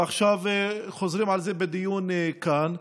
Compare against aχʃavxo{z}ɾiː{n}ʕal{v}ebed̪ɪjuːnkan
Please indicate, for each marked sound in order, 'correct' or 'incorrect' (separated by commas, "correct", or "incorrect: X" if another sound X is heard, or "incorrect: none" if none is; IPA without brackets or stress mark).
correct, incorrect: m, incorrect: z